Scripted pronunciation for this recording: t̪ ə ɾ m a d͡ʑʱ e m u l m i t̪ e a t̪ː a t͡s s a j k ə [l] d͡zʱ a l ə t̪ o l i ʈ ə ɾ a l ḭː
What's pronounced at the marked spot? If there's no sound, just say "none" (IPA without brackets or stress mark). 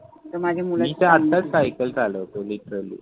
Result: l